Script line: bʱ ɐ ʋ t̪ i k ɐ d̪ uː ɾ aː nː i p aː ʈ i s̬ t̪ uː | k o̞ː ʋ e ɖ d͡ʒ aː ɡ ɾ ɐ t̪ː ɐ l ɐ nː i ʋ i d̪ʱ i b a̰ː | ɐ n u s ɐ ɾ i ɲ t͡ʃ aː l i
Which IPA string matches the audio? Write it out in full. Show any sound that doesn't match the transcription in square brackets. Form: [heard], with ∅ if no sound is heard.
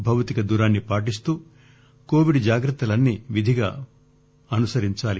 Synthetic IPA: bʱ ɐ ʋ t̪ i k ɐ d̪ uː ɾ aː nː i p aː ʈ i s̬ t̪ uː | k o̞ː ʋ [i] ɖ d͡ʒ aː ɡ ɾ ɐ t̪ː ɐ l ɐ nː i ʋ i d̪ʱ i [ɡ] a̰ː | ɐ n u s ɐ ɾ i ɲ t͡ʃ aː l i